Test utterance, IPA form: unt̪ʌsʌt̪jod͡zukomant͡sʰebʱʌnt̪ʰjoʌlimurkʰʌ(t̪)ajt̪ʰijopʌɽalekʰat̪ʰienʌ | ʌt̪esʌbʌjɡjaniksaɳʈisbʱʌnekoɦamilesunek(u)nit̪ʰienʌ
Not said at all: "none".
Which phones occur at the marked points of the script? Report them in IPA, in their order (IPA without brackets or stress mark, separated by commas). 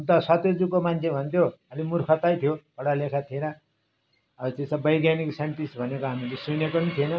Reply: t̪, o